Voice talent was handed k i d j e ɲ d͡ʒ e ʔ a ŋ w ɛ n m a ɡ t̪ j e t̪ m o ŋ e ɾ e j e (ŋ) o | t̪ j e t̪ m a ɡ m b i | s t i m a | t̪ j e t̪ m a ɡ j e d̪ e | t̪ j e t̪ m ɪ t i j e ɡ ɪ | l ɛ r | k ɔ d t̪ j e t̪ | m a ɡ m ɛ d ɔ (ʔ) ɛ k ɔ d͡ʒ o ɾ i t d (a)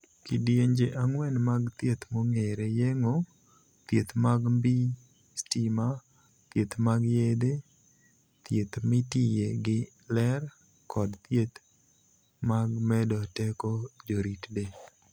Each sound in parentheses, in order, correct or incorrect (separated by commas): correct, incorrect, incorrect